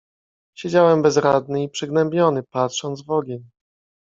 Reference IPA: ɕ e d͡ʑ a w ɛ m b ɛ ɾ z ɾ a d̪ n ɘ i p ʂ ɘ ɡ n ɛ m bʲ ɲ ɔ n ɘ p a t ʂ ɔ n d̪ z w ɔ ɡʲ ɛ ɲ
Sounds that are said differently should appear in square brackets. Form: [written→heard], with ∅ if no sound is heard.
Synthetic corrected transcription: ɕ e d͡ʑ a w ɛ m b ɛ [ɾ→∅] z ɾ a d̪ n ɘ i p ʂ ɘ ɡ n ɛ m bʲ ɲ ɔ n ɘ p a t ʂ ɔ n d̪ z [w→v] ɔ ɡʲ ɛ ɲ